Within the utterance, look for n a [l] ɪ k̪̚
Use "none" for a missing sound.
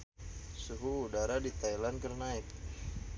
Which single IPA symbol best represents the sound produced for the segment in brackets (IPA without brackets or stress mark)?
none